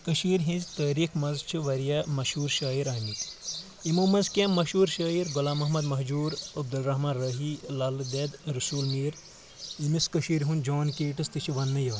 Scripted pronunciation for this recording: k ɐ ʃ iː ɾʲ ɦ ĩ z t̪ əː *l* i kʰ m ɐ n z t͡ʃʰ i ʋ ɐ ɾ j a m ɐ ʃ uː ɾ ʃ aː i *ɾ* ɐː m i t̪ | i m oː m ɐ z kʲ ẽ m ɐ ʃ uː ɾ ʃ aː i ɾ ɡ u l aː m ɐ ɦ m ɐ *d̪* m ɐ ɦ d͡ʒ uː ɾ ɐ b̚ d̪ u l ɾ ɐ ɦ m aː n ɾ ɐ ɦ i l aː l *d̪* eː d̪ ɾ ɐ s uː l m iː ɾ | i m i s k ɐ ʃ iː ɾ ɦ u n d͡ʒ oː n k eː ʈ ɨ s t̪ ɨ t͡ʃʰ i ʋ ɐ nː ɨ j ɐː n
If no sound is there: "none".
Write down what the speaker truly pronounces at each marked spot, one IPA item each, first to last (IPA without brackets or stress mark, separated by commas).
ɾ, ɾ, d̪, d̪